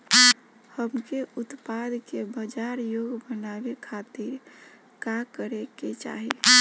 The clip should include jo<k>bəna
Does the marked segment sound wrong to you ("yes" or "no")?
yes